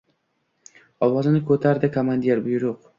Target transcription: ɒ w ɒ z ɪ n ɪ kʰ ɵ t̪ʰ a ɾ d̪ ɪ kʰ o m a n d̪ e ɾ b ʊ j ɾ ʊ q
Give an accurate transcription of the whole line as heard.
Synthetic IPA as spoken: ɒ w ɒ z ɪ n ɪ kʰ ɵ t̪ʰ a ɾ d̪ ɪ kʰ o m a n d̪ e ɾ b ʊ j ɾ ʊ q